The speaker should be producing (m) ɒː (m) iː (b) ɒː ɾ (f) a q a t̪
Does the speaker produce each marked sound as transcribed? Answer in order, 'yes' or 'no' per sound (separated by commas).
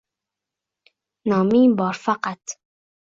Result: no, yes, yes, yes